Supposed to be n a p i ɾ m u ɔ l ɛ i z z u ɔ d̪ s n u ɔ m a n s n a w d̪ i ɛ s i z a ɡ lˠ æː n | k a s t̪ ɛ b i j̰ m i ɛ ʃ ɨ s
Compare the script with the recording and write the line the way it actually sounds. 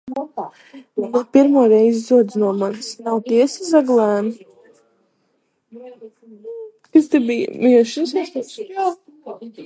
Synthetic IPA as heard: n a p i ɾ m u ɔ ɾ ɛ j z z u ɔ d̪ z n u ɔ m a n s n a w t̪ i ɛ s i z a ɡ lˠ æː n | k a s t̪ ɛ b i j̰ m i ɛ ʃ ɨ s